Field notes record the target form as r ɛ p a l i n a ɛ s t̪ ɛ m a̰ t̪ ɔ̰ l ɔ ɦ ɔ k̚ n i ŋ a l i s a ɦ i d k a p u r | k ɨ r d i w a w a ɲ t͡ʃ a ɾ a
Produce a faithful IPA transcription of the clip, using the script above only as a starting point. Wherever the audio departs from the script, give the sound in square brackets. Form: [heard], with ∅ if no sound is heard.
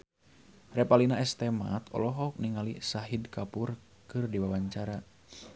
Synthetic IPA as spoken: r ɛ p a l i n a ɛ s t̪ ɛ m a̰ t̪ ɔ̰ l ɔ ɦ ɔ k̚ n i ŋ a l i s a ɦ i d k a p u r | k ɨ r d i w a w a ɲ t͡ʃ a ɾ a